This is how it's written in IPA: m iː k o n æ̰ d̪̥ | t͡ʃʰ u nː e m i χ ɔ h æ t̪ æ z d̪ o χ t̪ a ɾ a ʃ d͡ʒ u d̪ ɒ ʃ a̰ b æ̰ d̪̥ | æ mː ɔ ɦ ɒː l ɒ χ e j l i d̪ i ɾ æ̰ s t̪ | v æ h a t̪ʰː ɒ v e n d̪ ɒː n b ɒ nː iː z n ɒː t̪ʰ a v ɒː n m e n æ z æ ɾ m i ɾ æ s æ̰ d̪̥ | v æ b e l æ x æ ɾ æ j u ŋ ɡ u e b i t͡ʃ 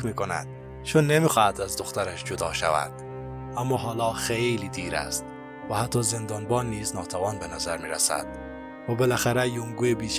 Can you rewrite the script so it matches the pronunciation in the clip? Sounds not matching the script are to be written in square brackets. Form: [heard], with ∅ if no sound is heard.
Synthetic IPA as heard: m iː k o n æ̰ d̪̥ | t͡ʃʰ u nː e m i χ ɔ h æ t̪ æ z d̪ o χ t̪ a ɾ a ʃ d͡ʒ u d̪ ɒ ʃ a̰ [v] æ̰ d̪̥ | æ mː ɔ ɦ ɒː l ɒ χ e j l i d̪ i ɾ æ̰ s t̪ | v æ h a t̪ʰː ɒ [z] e n d̪ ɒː n b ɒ nː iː z n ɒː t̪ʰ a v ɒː n [b] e n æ z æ ɾ m i ɾ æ s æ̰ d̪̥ | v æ b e l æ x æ ɾ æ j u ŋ ɡ u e b i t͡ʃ